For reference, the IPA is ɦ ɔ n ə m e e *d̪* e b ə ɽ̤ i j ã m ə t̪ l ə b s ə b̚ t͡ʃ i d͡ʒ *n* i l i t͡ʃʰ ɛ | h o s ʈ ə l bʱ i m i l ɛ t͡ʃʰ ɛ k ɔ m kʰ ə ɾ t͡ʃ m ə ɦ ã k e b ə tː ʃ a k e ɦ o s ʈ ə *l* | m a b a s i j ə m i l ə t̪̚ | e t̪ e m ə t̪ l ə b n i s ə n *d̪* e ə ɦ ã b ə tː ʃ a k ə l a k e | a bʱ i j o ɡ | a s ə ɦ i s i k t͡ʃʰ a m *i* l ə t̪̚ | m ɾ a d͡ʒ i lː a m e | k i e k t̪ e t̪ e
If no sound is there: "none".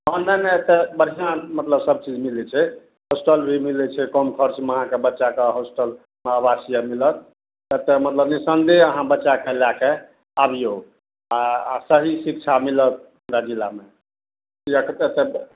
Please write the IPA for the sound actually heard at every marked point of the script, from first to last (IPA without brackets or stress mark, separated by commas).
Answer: t̪, m, l, d̪, i